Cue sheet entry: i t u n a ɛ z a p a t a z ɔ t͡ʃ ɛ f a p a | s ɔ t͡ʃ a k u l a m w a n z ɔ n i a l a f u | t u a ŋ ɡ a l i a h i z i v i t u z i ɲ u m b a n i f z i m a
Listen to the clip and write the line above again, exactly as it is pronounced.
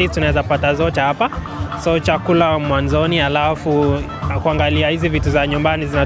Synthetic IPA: i t u n a ɛ z a p a t a z ɔ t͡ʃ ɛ h a p a | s ɔ t͡ʃ a k u l a m w a n z ɔ n i a l a f u | k u a ŋ ɡ a l i a h i z i v i t u z a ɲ u m b a n i z i n a